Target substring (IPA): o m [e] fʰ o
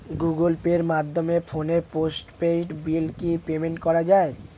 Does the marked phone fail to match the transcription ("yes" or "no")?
no